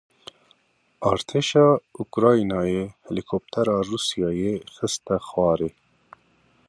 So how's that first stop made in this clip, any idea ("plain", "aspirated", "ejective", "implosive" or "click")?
aspirated